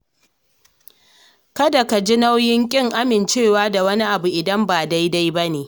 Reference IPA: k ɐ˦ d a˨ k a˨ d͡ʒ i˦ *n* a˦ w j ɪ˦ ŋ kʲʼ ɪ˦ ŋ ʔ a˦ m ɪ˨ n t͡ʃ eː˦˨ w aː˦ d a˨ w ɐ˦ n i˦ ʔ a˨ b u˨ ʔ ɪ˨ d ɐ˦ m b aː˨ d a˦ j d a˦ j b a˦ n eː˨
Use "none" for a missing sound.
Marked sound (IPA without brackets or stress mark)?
n